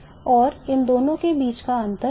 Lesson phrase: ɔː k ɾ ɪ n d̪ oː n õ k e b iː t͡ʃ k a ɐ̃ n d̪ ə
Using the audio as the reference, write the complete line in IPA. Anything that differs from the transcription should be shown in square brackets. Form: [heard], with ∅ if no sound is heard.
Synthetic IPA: ɔː [∅] ɾ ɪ n d̪ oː n õ k e b iː t͡ʃ k a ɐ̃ n [t̪] ə